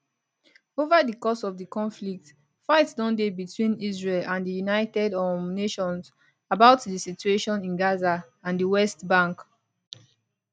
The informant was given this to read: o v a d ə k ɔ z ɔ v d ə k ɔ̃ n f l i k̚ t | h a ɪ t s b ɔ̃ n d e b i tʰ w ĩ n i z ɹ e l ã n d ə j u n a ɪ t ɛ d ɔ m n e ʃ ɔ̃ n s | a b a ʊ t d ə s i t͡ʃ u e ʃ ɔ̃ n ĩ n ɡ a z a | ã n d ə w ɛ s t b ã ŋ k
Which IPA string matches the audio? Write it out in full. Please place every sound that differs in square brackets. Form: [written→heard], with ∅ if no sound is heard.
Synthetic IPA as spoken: o v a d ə k ɔ [z→s] ɔ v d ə k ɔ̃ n f l i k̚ t | [h→f] a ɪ t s [b→d] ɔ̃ n d e b i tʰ w ĩ n i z ɹ e l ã n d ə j u n a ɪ t ɛ d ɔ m n e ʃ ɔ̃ n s | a b a ʊ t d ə s i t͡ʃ u e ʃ ɔ̃ n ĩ n ɡ a z a | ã n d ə w ɛ s t b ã ŋ k